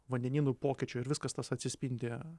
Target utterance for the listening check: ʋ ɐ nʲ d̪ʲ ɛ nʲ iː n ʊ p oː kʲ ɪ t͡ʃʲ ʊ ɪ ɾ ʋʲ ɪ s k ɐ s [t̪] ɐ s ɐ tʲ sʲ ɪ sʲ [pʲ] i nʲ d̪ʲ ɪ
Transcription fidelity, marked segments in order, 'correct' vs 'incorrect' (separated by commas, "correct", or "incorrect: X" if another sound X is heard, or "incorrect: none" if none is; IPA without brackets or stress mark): correct, correct